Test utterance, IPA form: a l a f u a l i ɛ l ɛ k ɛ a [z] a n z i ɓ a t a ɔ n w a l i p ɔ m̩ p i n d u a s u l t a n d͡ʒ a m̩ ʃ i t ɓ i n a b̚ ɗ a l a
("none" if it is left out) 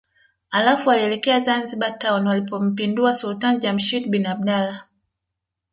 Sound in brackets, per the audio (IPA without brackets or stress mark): z